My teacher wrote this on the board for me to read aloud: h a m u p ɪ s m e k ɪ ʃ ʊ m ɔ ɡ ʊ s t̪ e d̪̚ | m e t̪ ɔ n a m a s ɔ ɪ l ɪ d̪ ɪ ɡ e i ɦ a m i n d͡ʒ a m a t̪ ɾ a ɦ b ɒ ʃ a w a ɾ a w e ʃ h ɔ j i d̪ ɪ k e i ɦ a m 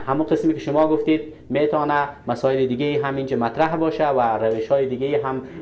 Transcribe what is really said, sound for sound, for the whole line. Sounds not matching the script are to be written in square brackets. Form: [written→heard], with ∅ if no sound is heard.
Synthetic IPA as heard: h a m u [p→q] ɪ s m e k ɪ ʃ ʊ m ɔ ɡ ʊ [s→f] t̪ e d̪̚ | m e t̪ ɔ n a m a s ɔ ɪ l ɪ d̪ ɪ ɡ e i ɦ a m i n d͡ʒ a m a t̪ ɾ a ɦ b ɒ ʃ a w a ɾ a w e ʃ h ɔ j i d̪ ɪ [k→ɡ] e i ɦ a m